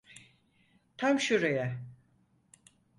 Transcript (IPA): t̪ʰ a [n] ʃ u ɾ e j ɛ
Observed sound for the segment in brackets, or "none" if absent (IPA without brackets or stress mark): m